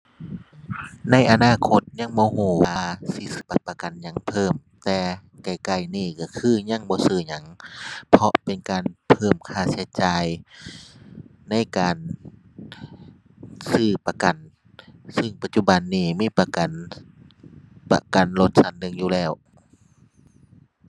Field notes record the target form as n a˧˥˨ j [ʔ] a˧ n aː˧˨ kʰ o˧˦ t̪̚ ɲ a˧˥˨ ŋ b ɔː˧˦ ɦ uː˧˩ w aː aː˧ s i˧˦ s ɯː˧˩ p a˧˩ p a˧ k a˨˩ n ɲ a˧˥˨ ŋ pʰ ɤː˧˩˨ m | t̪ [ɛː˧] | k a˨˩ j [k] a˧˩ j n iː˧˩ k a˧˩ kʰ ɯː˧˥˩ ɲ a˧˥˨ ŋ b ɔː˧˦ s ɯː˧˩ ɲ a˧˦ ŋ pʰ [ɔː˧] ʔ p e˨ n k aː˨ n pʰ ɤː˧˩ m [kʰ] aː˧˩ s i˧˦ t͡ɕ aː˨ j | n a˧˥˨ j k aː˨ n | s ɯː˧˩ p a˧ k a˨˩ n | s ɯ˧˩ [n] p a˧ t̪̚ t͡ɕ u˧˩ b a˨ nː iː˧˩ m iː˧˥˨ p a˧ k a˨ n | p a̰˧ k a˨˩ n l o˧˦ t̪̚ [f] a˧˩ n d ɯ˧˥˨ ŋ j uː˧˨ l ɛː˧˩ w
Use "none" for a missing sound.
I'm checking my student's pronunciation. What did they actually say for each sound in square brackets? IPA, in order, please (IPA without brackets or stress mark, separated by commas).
ʔ, ɛː˧, k, ɔ˧, kʰ, ŋ, s